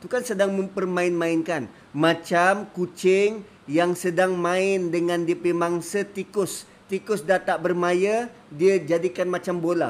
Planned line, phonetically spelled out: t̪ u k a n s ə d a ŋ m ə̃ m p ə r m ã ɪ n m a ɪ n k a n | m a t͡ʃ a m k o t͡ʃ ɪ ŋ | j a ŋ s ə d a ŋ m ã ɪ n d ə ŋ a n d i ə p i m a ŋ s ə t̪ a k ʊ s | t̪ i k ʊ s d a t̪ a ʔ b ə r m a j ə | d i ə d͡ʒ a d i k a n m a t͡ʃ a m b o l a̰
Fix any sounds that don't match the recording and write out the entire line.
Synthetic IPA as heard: t̪ u k a n s ə d a ŋ m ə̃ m p ə r m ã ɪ n m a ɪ n k a n | m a t͡ʃ a m k u t͡ʃ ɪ ŋ | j a ŋ s ə d a ŋ m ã ɪ n d ə ŋ a n d i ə p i m a ŋ s ə t̪ i k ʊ s | t̪ i k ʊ s d a t̪ a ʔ b ə r m a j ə | d i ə d͡ʒ a d i k a n m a t͡ʃ a m b o l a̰